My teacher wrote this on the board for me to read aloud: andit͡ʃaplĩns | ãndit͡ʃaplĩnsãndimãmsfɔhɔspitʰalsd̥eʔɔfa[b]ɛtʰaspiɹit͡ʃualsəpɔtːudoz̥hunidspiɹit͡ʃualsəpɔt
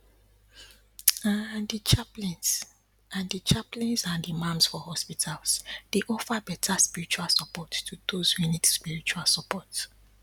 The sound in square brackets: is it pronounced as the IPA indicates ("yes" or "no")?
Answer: yes